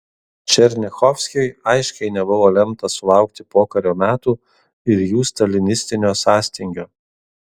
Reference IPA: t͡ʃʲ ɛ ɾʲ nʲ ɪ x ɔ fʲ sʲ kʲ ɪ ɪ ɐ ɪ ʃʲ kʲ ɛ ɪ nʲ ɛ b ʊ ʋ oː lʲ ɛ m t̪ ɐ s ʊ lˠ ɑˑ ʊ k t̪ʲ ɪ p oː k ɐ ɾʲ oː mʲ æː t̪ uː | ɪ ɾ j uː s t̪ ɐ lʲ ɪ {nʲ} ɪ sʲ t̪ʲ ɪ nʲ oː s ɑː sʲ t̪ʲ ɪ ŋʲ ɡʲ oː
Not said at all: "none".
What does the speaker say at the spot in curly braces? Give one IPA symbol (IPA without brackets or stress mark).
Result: nʲ